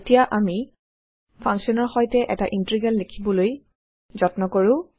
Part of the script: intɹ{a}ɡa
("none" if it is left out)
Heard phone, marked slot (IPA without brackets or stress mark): i